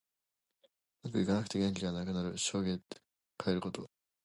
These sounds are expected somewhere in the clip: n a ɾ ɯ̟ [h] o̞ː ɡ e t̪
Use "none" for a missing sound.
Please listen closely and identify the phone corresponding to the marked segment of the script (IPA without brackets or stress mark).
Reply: ɕ